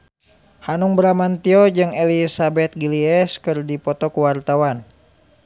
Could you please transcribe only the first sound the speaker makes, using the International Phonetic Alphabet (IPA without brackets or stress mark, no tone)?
h